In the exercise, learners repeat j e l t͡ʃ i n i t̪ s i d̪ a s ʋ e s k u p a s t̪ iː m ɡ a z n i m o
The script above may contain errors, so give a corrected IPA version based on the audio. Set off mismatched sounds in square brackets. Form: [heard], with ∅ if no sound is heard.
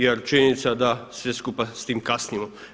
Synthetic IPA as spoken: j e [ɾ] t͡ʃ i n i t̪ s [a] d̪ a s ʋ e s k u p a s t̪ iː m [k] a [s] n i m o